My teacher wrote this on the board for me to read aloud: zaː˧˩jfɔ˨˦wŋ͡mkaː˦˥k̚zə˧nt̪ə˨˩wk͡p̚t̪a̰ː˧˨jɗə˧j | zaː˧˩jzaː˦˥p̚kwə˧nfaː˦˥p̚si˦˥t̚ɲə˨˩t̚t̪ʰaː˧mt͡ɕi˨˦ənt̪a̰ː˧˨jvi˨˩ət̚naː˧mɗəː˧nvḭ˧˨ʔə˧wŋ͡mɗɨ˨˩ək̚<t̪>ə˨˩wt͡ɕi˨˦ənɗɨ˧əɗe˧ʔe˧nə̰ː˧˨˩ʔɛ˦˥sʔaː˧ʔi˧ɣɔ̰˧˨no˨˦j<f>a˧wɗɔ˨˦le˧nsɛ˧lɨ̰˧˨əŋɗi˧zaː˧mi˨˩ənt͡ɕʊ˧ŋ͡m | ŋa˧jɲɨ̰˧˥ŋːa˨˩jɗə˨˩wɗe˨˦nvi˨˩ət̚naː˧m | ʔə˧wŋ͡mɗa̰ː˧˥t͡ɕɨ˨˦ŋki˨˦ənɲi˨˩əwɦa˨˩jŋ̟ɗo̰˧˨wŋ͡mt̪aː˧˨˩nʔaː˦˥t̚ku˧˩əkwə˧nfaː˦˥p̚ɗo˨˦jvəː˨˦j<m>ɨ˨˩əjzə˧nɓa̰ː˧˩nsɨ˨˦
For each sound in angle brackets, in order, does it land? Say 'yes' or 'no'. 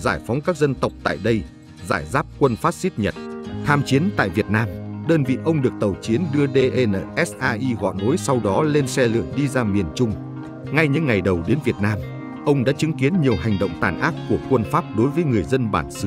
yes, no, no

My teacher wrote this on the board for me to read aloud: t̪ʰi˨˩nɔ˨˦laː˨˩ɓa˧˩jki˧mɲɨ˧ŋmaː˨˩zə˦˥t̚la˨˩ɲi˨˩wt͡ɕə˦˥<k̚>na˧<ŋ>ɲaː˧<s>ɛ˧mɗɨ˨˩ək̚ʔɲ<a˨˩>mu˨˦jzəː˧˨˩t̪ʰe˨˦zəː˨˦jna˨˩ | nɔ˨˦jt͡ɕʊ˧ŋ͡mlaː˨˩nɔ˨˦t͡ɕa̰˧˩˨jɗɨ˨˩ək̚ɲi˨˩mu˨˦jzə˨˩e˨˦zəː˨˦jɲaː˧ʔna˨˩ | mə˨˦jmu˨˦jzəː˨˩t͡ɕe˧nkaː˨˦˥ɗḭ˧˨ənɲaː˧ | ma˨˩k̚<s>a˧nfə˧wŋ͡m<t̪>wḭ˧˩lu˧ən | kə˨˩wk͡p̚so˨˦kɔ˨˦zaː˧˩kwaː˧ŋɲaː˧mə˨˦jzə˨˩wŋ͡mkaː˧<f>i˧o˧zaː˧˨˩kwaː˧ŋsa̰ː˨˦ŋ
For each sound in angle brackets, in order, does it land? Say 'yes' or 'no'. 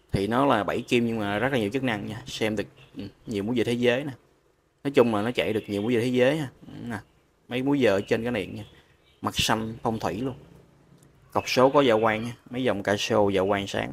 yes, yes, yes, no, yes, no, no

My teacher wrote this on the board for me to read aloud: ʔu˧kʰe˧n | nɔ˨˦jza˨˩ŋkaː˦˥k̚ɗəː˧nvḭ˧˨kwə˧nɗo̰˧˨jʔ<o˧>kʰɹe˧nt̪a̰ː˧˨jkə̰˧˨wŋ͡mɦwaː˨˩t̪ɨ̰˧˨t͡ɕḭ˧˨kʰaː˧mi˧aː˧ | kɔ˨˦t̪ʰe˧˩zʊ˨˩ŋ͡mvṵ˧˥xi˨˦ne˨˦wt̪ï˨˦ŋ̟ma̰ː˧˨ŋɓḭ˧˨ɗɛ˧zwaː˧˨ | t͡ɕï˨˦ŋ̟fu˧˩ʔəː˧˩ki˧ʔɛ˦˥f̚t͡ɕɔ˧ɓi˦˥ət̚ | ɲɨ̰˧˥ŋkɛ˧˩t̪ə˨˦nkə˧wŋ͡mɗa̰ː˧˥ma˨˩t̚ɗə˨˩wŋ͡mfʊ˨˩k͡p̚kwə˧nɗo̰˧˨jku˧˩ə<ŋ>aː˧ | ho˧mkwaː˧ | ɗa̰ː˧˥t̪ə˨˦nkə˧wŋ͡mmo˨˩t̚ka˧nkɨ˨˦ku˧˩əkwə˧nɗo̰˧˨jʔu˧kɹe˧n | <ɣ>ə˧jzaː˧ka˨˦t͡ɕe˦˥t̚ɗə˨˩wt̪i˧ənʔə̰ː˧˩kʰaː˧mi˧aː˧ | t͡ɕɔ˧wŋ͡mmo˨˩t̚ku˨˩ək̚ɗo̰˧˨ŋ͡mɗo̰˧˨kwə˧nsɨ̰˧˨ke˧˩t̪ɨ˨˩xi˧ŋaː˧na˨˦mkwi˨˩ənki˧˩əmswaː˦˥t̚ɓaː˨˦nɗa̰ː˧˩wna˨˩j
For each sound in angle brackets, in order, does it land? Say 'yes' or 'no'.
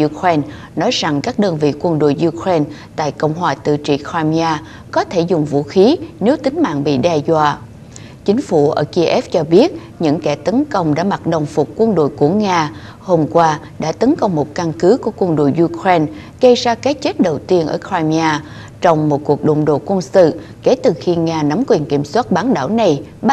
no, yes, yes

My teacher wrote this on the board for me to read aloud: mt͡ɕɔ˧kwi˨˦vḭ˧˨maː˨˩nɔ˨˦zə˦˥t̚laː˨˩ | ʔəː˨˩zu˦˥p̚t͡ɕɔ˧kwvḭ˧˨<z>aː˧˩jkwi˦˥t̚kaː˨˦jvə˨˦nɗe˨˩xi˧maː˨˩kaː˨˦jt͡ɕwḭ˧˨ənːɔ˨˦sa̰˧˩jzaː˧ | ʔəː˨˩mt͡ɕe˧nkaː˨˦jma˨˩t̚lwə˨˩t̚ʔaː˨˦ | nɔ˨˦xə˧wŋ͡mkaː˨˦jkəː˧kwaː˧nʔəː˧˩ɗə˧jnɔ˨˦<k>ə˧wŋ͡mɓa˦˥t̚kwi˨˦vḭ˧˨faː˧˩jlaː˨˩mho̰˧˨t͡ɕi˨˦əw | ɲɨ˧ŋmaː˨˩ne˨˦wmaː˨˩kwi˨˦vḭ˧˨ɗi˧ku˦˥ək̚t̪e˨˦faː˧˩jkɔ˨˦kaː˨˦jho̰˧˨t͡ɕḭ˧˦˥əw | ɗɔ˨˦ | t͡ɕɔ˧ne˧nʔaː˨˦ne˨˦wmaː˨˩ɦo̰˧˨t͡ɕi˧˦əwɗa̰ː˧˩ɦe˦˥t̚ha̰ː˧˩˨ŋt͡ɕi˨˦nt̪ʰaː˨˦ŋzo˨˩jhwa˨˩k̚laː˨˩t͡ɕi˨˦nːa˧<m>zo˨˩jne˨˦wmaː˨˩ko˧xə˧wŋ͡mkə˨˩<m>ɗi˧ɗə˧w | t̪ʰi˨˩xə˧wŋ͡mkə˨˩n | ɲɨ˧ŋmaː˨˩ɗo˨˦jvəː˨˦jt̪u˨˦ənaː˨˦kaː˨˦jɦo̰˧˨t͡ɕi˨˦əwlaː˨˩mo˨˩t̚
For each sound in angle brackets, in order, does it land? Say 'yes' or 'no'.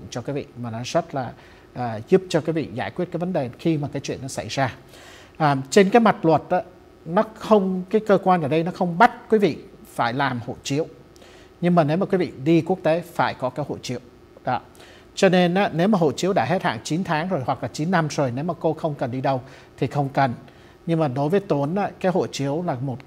yes, no, yes, no

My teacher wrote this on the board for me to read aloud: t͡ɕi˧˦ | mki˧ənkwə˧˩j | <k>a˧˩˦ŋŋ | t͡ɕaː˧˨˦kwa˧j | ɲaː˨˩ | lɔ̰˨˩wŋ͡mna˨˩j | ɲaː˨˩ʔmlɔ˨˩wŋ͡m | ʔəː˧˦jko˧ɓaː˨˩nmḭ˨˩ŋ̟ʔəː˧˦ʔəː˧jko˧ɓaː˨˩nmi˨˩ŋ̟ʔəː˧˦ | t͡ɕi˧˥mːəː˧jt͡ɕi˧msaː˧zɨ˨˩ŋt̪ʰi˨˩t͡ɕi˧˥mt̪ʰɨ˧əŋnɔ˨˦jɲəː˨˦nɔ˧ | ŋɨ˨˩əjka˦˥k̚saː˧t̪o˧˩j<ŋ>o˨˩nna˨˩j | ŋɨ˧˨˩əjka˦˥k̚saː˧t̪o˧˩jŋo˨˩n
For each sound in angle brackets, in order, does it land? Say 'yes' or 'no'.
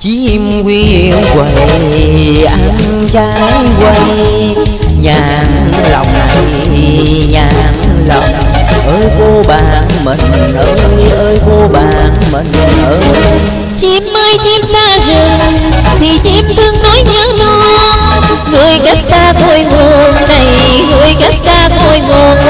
no, yes

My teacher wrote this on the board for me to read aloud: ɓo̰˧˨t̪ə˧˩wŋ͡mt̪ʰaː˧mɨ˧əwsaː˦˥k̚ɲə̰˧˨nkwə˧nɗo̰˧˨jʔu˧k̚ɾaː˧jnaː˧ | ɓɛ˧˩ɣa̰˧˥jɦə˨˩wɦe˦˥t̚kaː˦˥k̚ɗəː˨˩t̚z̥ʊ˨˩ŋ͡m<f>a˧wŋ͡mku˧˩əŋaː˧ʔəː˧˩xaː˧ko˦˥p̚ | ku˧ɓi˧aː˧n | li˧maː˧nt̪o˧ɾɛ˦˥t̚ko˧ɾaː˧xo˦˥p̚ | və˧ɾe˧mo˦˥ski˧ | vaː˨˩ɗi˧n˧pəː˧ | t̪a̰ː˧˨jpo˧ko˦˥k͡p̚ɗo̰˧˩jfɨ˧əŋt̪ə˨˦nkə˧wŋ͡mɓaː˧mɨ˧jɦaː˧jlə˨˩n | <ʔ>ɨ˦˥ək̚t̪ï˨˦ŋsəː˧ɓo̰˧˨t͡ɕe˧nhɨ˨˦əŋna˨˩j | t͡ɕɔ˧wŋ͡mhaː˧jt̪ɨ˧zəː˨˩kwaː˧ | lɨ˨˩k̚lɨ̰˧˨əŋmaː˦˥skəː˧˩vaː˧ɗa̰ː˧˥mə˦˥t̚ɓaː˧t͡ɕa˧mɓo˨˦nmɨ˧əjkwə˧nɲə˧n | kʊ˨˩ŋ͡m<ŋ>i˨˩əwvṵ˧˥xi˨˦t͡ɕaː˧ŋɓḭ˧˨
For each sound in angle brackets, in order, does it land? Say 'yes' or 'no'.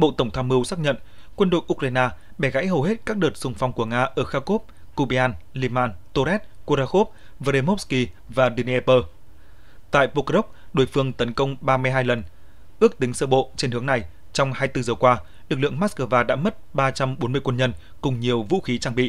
yes, yes, no

